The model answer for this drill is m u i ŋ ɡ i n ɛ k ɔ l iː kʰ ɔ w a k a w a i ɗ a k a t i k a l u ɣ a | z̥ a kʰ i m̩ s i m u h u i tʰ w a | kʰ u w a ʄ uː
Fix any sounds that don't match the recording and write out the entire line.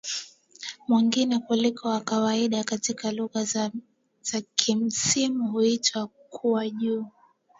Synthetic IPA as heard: m w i ŋ ɡ i n ɛ k u l i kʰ ɔ w a k a w a i ɗ a k a t i k a l u ɣ a | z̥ a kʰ i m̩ s i m u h u i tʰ w a | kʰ u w a ʄ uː